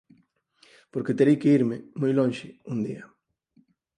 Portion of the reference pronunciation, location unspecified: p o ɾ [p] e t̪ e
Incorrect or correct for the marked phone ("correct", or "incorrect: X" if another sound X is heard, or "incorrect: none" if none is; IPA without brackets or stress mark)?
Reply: incorrect: k